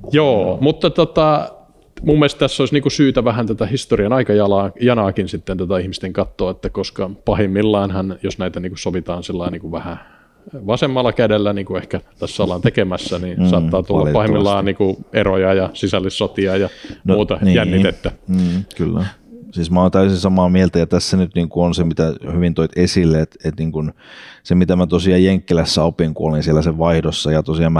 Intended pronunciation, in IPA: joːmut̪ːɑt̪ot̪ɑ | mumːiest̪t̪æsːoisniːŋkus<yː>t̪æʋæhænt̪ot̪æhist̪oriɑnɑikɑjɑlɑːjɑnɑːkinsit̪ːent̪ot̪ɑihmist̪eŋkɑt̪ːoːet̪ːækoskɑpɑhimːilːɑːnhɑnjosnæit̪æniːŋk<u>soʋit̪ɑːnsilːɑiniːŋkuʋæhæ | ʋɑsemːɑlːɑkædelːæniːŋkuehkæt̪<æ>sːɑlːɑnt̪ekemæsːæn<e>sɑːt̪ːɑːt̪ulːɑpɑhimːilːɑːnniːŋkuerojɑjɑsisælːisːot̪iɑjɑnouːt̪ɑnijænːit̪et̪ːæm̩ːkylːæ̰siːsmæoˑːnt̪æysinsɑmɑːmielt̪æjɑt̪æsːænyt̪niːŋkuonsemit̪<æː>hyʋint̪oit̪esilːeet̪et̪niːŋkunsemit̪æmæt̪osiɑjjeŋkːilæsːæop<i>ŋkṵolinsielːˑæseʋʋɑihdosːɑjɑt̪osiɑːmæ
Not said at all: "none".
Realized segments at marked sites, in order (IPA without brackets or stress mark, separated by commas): yː, u, æ, i, æ, i